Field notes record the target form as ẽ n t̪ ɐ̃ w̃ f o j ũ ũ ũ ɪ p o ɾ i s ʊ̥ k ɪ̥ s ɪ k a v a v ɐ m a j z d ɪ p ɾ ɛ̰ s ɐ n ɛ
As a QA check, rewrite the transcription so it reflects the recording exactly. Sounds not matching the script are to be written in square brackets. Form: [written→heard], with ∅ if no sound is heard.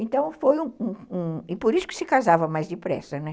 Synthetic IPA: ẽ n t̪ ɐ̃ w̃ f o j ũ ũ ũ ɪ p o ɾ i s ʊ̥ k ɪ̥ s ɪ k a [v→z] a v ɐ m a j z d ɪ p ɾ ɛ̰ s ɐ n ɛ